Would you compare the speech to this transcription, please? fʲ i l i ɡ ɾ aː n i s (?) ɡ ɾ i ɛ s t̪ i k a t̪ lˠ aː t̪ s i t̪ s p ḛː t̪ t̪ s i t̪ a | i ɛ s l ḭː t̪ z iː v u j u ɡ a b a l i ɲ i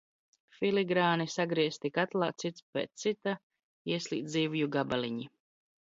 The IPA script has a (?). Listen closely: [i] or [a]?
a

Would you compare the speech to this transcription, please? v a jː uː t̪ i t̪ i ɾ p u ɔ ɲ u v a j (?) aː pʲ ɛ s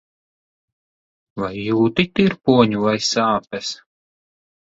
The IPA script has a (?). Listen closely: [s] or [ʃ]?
s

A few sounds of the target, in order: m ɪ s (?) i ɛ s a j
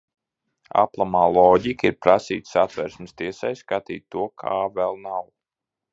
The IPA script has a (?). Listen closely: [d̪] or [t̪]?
t̪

